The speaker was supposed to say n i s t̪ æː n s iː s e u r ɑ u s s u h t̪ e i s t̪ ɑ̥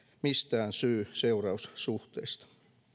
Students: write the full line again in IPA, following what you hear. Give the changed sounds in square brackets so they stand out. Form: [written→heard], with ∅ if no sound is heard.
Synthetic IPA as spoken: [n→m] i s t̪ æː n s [iː→yː] s e u r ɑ u s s u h t̪ e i s t̪ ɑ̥